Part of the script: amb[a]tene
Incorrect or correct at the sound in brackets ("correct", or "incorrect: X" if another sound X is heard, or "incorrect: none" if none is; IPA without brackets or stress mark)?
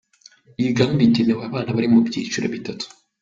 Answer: incorrect: i